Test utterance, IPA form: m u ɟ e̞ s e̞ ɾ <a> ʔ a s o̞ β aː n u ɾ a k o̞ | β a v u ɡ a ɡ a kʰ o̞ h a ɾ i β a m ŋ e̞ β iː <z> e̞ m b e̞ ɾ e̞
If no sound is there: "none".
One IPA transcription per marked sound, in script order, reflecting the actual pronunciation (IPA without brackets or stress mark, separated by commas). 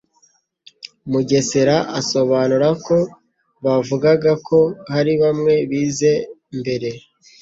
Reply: a, z